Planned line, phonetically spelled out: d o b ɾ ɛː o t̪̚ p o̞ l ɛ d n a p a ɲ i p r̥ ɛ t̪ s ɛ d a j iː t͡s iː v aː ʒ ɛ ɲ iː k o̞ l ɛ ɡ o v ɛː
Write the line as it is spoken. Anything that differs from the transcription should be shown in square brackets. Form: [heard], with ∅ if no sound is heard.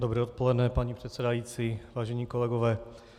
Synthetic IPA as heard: d o b ɾ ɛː o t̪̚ p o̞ l ɛ d n [ɛ] p a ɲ i p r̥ ɛ t̪ s ɛ d a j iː t͡s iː v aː ʒ ɛ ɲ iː k o̞ l ɛ ɡ o v ɛː